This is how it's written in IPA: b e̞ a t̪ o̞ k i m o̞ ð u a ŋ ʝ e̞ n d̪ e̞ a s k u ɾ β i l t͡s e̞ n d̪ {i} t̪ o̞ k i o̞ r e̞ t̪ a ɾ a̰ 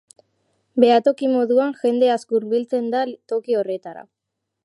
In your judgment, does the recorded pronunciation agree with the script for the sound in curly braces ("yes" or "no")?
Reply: no